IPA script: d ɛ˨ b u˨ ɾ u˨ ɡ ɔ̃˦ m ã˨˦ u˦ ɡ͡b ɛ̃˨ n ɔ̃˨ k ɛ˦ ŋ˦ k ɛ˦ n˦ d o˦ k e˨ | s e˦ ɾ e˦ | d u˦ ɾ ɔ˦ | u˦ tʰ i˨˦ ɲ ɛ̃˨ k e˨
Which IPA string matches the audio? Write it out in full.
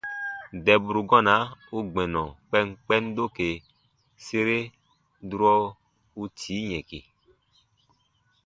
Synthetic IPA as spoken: d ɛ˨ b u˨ ɾ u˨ ɡ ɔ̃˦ n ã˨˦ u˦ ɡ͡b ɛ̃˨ n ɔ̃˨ k͡p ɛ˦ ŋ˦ k͡p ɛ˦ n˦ d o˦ k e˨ | s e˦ ɾ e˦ | d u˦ ɾ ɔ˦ | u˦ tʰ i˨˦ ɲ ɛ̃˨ k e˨